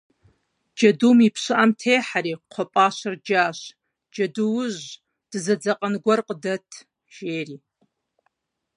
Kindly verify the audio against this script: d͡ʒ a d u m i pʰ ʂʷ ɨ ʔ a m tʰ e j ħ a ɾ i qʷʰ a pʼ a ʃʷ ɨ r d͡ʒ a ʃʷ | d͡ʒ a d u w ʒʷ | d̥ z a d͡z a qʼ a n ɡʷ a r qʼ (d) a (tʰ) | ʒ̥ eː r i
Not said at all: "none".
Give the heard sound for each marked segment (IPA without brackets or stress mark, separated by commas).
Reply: d, tʰ